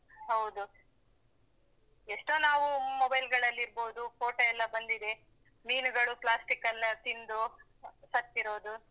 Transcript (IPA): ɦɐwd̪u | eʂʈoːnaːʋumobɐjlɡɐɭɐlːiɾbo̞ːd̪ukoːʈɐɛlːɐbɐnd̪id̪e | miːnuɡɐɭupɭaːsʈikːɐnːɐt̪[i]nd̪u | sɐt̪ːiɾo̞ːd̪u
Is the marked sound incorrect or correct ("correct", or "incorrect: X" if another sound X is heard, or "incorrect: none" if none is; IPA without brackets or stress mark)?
correct